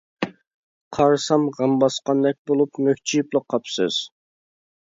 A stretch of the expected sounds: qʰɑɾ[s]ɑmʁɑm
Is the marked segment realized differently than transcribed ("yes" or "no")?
no